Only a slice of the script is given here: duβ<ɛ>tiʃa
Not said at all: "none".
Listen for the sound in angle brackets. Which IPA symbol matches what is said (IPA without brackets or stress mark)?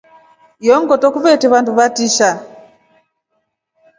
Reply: a